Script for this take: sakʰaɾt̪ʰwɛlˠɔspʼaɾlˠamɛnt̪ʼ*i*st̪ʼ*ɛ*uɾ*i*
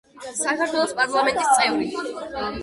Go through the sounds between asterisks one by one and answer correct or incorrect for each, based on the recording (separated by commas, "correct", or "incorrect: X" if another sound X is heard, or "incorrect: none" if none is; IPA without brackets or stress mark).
correct, correct, correct